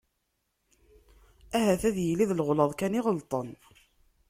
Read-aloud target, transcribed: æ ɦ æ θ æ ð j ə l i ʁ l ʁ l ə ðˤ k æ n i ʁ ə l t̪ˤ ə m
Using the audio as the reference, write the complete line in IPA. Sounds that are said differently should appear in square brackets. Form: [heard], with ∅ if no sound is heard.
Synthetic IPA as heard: æ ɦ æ θ æ ð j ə l i [ð] l ʁ l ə ðˤ k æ n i ʁ ə l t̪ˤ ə [n]